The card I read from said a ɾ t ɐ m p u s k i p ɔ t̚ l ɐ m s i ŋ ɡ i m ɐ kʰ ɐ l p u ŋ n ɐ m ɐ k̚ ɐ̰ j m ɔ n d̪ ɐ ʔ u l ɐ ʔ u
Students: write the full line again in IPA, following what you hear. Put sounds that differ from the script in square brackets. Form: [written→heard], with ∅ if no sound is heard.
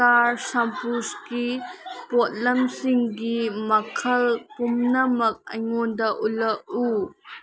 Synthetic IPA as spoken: a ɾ [t→s] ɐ m p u s k i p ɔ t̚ l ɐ m s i ŋ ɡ i m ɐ kʰ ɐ l p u [ŋ→m] n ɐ m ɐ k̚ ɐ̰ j [m→ŋ] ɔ n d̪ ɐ ʔ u l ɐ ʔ u